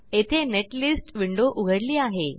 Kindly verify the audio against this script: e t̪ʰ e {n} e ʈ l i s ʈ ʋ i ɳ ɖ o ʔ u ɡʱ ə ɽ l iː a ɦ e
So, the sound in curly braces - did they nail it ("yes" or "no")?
yes